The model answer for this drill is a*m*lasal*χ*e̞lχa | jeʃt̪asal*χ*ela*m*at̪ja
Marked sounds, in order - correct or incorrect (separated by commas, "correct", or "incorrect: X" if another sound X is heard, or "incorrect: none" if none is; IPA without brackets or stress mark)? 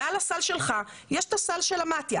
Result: incorrect: none, incorrect: ʃ, incorrect: ʃ, correct